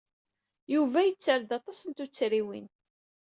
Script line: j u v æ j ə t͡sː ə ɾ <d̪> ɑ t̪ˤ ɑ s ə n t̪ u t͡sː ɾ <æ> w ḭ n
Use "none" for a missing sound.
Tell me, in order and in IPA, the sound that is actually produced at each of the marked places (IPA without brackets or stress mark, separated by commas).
d̪, i